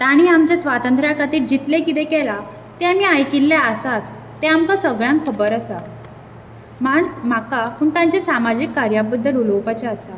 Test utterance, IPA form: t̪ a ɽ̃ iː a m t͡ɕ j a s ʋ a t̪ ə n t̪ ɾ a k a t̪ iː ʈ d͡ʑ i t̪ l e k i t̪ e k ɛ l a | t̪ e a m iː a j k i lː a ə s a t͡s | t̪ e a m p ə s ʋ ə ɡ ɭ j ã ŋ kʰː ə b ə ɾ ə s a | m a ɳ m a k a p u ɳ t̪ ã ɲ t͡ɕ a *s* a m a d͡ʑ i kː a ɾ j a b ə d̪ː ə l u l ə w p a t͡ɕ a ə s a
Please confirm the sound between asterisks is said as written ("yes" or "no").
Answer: yes